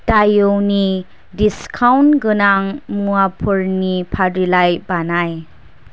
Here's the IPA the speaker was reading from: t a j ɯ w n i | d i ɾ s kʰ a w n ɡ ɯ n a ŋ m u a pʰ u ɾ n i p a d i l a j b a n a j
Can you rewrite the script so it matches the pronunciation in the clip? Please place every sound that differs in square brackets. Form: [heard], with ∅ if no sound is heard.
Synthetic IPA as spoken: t a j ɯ w n i | d i [∅] s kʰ a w n ɡ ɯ n a ŋ m u a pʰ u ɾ n i [pʰ] a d i l a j b a n a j